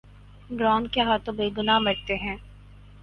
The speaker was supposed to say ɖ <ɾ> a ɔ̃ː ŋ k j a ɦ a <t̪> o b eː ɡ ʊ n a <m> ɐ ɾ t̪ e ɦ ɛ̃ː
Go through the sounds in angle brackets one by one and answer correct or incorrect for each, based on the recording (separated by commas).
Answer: correct, correct, correct